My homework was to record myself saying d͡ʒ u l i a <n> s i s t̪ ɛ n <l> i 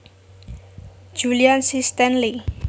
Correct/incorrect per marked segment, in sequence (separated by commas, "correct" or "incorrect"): correct, correct